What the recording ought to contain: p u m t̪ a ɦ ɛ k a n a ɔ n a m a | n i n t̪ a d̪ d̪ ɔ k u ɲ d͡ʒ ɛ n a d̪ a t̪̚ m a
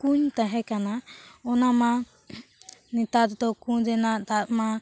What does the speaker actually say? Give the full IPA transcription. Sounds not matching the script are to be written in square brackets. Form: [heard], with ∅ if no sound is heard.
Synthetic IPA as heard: [k] u [ɲ] t̪ a ɦ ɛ k a n a ɔ n a m a | n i [∅] t̪ a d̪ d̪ ɔ k u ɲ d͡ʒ ɛ n a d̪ a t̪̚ m a